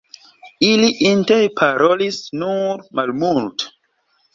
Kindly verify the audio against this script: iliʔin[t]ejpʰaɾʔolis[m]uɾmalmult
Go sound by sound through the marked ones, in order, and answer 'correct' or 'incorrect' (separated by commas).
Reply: correct, incorrect